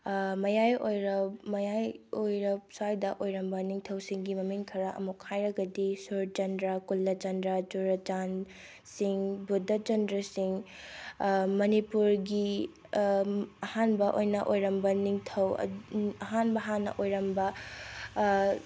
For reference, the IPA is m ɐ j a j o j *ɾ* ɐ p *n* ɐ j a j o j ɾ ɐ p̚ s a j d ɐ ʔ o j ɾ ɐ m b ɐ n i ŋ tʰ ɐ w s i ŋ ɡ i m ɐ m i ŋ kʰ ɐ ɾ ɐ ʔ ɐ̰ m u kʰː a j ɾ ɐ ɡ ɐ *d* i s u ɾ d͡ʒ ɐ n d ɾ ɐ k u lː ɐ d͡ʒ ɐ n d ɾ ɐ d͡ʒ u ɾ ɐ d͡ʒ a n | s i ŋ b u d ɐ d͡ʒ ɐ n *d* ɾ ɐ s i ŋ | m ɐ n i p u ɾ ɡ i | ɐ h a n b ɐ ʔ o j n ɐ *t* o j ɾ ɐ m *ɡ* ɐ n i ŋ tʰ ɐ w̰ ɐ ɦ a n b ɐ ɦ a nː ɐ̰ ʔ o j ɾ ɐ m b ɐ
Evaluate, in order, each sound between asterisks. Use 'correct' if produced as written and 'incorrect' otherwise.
correct, incorrect: m, correct, correct, incorrect: ʔ, incorrect: b

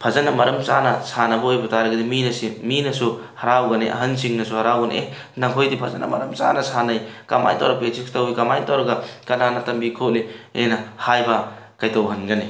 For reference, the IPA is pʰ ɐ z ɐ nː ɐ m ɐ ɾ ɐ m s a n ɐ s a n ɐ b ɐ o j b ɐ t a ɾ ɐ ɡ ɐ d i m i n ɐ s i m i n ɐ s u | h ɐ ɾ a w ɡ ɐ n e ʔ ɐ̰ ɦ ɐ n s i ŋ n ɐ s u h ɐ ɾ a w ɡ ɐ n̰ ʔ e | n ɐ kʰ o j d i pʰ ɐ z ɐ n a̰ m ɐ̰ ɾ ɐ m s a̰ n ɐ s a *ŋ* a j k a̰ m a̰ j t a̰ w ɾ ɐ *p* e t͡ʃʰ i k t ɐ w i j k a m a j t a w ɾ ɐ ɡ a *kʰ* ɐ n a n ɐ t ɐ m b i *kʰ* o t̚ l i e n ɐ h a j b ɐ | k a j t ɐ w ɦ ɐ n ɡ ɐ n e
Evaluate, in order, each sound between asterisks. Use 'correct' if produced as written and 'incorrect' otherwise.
incorrect: n, correct, incorrect: k, correct

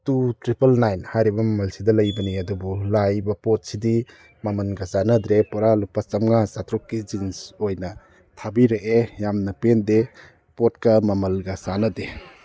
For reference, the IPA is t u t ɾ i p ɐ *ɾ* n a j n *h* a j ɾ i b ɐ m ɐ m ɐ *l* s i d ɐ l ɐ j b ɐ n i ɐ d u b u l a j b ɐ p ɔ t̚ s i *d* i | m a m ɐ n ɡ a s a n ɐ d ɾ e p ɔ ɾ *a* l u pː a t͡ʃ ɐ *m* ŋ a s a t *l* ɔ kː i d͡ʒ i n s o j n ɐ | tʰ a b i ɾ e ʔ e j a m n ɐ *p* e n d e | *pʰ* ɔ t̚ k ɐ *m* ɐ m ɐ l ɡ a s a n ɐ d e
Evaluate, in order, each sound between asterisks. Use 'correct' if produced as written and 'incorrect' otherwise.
incorrect: l, correct, correct, correct, correct, correct, incorrect: ɾ, correct, incorrect: p, correct

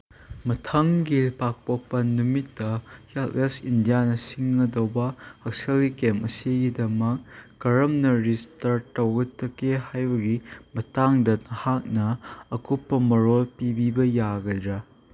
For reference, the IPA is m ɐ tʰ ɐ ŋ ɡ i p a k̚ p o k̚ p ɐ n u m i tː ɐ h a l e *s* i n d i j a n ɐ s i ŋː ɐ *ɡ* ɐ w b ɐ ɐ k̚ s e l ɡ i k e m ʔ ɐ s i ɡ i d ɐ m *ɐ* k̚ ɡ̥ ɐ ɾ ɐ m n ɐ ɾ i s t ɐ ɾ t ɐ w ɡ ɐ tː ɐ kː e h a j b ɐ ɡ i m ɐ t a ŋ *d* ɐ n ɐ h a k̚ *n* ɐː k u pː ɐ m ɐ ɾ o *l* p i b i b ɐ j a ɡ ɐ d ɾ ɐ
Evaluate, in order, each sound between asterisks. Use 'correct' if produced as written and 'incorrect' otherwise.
correct, incorrect: d, correct, correct, correct, correct

